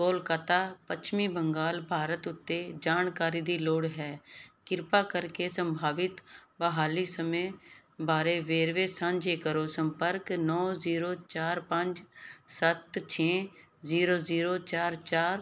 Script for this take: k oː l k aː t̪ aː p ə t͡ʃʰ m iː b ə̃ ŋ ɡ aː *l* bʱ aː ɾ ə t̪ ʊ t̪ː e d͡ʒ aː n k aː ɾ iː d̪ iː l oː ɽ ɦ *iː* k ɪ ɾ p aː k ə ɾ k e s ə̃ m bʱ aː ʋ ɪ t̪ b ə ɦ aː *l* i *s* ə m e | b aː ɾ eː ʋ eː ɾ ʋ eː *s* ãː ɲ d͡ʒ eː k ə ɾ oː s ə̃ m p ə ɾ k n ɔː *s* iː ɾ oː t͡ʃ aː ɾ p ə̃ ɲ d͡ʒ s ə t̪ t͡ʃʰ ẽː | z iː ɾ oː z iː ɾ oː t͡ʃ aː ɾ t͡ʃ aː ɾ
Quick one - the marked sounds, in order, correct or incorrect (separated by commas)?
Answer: correct, incorrect, correct, correct, correct, incorrect